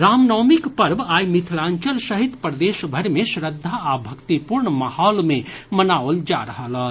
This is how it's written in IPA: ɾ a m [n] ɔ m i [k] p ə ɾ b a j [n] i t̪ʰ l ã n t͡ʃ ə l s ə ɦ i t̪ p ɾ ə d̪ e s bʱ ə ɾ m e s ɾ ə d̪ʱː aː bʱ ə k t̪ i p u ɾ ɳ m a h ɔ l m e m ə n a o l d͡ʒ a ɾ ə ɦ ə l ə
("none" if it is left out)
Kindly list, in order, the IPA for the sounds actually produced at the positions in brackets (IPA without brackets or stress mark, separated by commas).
n, k, m